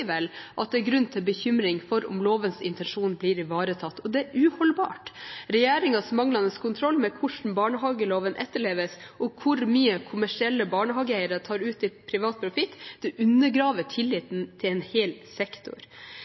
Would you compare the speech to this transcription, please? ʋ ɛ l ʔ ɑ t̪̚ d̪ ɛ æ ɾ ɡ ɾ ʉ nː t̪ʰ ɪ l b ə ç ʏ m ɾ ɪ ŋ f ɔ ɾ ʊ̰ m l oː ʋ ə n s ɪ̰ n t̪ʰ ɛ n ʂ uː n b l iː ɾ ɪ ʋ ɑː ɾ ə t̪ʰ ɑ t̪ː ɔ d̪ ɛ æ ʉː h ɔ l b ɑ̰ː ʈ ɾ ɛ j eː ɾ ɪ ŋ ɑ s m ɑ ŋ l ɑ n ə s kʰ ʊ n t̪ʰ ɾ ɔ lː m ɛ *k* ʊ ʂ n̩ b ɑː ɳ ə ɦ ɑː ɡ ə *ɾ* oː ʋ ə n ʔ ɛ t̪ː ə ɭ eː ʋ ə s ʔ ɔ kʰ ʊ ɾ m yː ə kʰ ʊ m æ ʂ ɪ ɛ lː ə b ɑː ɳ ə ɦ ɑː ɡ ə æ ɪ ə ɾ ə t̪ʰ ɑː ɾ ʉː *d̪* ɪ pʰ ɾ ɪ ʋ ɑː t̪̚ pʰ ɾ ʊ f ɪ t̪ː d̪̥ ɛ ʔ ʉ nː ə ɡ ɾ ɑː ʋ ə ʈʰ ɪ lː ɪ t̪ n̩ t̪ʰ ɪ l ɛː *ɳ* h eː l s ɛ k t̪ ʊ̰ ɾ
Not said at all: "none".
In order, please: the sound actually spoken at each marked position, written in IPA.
kʰ, l, t̪, n

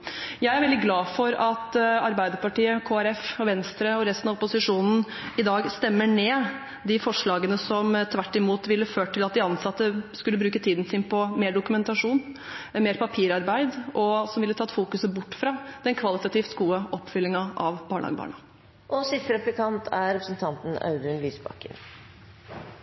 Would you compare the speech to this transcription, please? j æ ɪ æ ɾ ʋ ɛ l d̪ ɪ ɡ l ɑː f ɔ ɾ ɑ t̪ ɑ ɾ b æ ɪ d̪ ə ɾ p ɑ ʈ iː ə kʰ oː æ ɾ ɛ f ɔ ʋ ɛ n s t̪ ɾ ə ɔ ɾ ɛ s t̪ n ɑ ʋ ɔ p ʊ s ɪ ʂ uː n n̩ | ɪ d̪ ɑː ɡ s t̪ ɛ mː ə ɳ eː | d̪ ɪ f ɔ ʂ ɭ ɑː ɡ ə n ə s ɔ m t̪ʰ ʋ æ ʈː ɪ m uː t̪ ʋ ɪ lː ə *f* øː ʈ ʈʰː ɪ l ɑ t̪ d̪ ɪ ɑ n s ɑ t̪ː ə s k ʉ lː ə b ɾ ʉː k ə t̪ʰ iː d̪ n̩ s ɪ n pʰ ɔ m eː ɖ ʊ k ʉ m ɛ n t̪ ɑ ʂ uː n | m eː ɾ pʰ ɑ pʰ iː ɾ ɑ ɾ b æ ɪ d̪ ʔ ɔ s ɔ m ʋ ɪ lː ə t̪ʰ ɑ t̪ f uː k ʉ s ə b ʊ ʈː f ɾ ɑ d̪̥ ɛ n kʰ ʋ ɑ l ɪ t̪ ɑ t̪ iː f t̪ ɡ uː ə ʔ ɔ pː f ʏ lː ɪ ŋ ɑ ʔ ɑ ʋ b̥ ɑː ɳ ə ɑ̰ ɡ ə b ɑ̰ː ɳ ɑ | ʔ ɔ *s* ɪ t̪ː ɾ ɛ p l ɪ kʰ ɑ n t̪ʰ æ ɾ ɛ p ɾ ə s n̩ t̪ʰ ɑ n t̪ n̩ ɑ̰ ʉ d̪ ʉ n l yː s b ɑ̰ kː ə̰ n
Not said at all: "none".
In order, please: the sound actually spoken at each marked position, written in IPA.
f, s

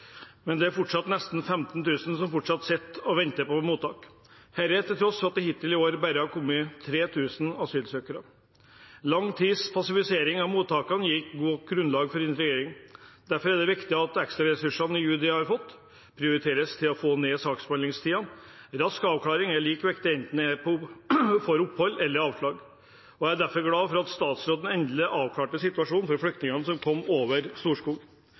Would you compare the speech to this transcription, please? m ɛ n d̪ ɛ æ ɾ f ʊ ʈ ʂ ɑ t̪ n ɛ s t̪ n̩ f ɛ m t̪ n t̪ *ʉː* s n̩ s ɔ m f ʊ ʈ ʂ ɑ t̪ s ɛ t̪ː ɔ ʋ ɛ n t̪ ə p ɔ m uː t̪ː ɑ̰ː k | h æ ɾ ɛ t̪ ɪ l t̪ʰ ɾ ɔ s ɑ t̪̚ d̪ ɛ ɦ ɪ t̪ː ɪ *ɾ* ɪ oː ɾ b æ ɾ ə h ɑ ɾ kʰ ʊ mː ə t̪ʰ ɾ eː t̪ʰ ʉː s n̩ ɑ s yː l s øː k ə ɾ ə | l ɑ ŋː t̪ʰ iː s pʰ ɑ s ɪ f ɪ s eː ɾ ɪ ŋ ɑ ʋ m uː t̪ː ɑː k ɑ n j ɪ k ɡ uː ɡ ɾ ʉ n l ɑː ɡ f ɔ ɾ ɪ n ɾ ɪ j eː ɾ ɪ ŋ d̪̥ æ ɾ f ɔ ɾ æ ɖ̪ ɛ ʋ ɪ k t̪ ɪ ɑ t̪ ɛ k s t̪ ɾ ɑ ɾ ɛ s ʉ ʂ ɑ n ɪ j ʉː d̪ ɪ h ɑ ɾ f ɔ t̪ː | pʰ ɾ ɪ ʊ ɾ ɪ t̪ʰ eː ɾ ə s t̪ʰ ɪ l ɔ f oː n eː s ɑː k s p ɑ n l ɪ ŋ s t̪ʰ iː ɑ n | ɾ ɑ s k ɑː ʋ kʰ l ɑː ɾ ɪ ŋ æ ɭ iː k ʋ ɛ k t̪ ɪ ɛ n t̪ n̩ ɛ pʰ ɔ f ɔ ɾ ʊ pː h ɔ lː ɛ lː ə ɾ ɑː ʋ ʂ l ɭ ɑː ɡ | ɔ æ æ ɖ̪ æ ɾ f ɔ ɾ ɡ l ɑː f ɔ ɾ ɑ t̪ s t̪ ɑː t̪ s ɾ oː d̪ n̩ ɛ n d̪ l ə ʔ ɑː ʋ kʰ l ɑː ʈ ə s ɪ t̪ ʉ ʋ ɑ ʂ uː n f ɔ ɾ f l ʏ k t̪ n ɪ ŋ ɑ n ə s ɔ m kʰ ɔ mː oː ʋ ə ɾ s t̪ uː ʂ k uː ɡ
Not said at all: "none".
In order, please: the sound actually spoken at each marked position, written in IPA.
ʉː, l

